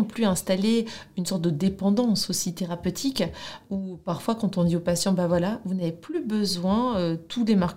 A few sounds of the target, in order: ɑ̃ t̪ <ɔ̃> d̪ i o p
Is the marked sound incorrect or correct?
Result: correct